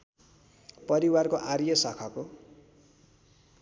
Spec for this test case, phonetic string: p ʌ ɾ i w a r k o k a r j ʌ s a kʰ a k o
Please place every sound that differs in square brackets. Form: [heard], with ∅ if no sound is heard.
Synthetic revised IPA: p ʌ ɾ i w a r k o [ʔ] a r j ʌ s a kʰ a k o